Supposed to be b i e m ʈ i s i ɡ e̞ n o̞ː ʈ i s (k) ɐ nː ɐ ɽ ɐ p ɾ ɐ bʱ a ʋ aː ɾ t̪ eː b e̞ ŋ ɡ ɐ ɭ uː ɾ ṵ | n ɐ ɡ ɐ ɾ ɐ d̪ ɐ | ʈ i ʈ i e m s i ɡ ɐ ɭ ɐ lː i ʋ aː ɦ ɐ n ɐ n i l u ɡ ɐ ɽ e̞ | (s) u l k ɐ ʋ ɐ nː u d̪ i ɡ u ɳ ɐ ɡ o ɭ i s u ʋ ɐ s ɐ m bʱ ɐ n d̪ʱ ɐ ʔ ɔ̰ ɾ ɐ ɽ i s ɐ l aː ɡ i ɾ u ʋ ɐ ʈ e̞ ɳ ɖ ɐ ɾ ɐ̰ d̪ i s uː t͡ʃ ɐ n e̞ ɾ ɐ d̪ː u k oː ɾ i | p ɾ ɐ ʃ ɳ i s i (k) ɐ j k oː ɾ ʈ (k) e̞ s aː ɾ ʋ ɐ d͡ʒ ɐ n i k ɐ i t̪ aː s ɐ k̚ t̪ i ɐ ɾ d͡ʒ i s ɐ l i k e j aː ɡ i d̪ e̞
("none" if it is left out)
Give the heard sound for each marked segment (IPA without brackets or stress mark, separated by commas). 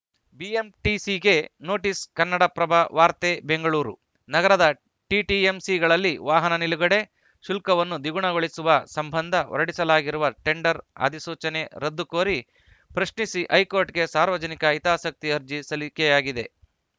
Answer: k, ʃ, ʔ, ɡ